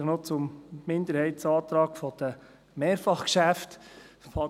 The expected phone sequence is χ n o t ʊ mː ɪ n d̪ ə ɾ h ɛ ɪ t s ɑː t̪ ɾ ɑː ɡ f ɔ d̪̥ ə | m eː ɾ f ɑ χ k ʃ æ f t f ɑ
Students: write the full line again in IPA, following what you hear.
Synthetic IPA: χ n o t͡s ʊ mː ɪ n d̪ ə ɾ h ɛ ɪ t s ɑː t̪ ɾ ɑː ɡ f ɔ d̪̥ ə | m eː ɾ f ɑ χ k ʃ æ f t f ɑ